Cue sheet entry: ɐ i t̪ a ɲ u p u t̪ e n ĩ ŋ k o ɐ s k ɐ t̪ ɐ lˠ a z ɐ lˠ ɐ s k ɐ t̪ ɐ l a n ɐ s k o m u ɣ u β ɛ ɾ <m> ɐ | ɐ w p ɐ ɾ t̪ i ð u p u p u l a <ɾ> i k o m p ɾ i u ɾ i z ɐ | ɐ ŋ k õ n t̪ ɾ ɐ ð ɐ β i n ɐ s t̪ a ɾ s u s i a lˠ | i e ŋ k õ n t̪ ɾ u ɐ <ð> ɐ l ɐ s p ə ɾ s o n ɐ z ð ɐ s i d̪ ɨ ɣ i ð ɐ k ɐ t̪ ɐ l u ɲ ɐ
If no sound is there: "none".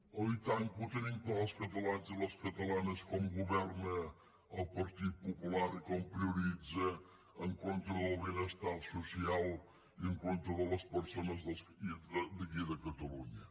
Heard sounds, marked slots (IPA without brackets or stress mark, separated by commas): n, ɾ, ð